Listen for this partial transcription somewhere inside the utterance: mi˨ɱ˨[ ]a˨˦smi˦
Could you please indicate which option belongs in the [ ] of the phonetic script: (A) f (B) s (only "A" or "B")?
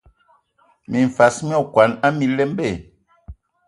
A